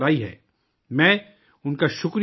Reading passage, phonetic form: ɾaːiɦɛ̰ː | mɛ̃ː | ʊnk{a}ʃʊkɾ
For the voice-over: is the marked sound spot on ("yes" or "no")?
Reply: yes